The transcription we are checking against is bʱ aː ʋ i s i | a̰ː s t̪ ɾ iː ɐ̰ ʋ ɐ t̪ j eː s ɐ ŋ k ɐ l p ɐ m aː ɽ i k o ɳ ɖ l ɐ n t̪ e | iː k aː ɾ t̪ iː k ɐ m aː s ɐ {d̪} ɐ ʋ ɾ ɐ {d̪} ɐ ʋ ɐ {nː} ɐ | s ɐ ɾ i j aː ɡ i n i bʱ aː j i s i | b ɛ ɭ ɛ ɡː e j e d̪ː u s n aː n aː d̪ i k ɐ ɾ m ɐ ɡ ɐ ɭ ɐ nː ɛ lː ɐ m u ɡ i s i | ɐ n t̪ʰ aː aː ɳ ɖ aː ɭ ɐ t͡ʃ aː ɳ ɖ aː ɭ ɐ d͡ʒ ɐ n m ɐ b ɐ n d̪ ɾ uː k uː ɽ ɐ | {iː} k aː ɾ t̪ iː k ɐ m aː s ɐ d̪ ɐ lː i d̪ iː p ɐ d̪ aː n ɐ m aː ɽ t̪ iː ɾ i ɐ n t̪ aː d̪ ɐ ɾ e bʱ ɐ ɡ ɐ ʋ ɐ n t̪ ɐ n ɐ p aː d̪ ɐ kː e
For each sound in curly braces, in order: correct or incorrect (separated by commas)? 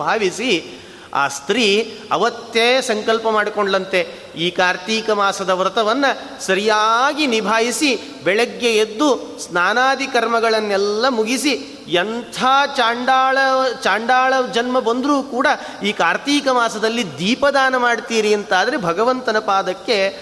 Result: correct, incorrect, correct, correct